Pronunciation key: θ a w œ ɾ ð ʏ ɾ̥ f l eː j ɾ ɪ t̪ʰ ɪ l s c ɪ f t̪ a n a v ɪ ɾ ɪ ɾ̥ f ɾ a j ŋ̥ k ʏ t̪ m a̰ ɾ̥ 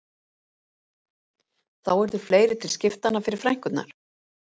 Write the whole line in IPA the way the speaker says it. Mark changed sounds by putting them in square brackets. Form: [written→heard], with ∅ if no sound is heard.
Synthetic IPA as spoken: θ a w [œ→ɛ] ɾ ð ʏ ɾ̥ f l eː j ɾ ɪ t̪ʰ ɪ l s c ɪ f t̪ a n a [v→f] ɪ ɾ ɪ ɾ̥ f ɾ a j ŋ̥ k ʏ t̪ [m→n] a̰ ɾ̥